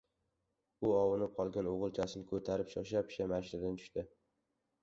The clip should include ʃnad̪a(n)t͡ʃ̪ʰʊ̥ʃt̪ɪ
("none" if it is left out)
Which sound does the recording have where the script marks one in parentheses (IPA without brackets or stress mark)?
n